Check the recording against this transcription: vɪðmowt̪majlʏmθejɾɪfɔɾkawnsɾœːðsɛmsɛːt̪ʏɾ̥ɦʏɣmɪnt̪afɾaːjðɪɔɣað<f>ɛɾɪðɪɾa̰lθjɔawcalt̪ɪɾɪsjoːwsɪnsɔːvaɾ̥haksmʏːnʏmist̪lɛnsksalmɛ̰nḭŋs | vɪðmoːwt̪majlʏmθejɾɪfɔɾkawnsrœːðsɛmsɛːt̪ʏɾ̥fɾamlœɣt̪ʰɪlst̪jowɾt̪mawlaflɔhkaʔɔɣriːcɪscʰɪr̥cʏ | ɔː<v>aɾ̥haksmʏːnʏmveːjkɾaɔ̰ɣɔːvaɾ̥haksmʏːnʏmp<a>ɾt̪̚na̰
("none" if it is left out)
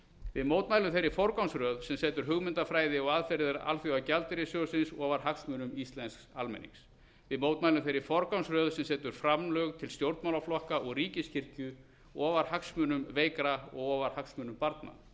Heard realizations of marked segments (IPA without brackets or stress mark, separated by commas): f, v, a